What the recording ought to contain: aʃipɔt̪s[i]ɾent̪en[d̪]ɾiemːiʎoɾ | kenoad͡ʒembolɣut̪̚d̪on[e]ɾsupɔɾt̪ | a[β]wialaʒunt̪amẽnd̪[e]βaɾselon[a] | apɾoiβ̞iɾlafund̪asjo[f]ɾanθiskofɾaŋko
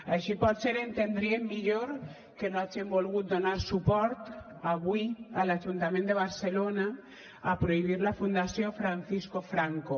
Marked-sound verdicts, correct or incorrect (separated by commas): incorrect, correct, incorrect, correct, correct, correct, correct